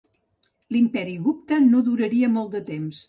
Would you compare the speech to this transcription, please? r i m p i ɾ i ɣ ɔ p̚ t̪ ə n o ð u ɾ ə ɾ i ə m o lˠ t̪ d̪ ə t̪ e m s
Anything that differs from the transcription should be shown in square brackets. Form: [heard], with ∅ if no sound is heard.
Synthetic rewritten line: [l] i m p [ɛ] ɾ i ɣ [u] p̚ t̪ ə n o ð u ɾ ə ɾ i ə m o lˠ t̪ d̪ ə t̪ e m s